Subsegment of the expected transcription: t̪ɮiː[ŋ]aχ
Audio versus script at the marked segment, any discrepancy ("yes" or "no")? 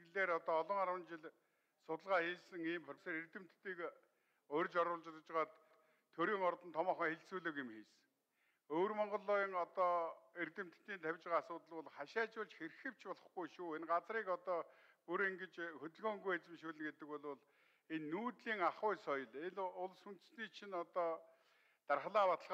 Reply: no